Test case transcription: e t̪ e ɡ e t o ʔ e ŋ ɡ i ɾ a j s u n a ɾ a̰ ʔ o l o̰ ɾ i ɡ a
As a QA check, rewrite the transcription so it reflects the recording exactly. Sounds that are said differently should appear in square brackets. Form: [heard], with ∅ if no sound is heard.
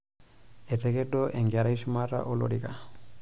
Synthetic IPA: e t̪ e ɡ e [d] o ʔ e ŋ ɡ [a] ɾ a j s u [m] a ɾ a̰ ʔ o l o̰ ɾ i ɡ a